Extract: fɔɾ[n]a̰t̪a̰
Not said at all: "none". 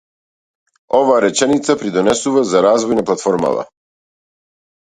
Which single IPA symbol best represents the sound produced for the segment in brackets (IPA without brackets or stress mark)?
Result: m